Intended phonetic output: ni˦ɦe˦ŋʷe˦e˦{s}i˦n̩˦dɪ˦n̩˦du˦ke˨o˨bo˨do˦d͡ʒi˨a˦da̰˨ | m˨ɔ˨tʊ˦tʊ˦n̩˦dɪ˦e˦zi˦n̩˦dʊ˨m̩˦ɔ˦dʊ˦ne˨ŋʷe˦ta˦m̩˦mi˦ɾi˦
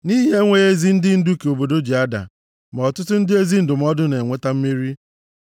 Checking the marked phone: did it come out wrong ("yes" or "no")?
yes